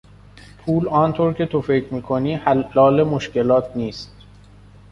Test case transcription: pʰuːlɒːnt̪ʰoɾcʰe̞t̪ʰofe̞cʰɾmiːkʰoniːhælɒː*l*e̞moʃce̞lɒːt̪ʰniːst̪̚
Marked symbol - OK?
yes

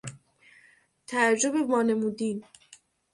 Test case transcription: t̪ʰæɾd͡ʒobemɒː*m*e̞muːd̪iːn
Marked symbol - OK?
no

